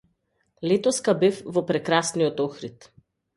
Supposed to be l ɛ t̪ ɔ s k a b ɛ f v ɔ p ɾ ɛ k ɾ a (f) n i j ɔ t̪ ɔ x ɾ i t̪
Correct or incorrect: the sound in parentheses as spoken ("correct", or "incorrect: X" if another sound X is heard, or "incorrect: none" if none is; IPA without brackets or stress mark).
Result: incorrect: s